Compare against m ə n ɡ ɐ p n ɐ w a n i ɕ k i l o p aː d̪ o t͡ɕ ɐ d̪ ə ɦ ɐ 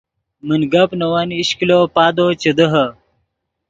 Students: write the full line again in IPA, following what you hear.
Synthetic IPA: m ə n ɡ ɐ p n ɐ w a n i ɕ k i l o p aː d̪ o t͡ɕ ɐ d̪ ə ɦ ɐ